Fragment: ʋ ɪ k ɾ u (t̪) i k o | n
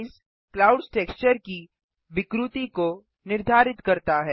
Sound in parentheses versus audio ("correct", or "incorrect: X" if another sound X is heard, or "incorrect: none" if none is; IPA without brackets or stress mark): correct